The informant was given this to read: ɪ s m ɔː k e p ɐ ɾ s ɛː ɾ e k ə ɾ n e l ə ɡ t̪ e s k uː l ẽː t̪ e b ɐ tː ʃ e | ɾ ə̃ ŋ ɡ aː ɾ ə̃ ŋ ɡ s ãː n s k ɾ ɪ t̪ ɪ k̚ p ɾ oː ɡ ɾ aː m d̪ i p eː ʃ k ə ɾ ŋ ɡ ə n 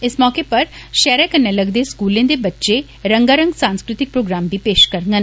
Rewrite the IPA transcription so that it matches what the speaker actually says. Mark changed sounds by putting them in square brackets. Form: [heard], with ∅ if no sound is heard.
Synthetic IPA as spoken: ɪ s m ɔː k e p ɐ ɾ [ʃ] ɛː ɾ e k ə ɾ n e l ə ɡ [d̪] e s k uː l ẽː [d̪] e b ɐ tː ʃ e | ɾ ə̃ ŋ ɡ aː ɾ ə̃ ŋ ɡ s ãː n s k ɾ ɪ t̪ ɪ k̚ p ɾ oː ɡ ɾ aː m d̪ i p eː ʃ k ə ɾ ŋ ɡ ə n